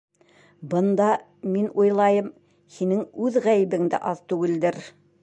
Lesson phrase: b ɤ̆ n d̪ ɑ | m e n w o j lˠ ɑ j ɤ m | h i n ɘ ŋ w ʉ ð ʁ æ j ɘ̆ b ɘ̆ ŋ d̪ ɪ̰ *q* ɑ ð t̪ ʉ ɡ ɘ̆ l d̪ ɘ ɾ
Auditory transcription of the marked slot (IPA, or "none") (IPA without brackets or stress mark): ʔ